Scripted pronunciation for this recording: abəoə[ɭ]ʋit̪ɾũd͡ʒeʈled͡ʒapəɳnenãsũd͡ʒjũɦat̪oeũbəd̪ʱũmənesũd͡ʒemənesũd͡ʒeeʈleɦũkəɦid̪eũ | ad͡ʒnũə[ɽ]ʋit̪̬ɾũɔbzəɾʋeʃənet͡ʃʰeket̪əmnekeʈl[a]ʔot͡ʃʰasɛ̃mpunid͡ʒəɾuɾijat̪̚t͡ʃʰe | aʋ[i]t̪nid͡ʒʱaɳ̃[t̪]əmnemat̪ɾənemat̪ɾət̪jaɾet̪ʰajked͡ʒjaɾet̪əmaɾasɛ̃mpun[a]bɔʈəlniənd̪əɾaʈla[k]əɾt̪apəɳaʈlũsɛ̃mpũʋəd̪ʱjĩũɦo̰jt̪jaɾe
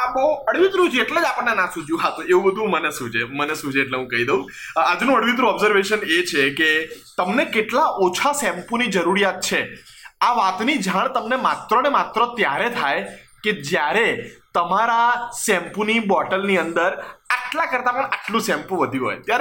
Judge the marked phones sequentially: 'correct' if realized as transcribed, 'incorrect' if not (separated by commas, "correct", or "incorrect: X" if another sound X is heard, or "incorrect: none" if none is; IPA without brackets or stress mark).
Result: incorrect: ɽ, correct, correct, incorrect: a, correct, incorrect: i, correct